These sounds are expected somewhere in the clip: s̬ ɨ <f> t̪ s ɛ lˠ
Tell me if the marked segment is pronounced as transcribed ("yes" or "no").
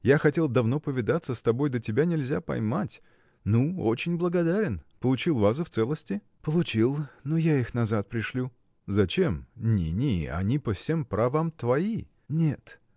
yes